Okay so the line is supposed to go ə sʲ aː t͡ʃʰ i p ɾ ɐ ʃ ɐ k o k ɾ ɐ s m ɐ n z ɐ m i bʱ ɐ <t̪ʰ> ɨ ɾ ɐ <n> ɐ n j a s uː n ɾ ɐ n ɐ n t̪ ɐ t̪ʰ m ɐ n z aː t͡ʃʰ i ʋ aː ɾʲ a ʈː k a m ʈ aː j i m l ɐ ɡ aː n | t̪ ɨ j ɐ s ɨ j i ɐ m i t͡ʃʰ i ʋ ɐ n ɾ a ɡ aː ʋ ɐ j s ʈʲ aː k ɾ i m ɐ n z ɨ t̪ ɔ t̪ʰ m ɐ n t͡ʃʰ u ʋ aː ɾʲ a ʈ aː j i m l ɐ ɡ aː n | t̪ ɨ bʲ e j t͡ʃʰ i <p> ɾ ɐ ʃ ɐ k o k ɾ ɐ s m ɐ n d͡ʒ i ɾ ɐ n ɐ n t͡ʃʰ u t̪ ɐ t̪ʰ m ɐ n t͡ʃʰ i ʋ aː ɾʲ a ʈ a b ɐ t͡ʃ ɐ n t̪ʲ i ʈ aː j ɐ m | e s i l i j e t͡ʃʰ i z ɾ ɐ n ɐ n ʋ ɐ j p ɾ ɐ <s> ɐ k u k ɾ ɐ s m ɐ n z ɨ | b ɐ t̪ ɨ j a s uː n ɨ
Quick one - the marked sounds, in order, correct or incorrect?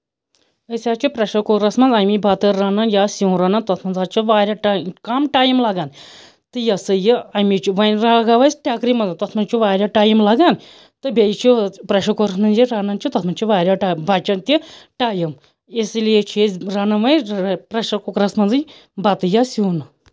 incorrect, correct, correct, incorrect

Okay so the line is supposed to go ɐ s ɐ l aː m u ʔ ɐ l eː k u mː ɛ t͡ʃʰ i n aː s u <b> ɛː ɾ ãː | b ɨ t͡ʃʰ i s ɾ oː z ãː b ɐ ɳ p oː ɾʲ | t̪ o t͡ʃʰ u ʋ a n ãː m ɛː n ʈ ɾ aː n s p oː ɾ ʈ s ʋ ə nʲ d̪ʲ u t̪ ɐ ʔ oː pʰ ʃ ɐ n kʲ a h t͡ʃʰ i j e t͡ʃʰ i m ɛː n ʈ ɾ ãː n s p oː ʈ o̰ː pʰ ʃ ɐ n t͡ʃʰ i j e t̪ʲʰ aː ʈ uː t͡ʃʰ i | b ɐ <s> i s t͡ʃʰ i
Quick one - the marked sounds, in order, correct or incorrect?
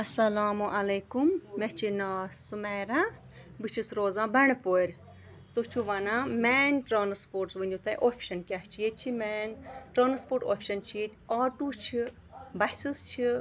incorrect, correct

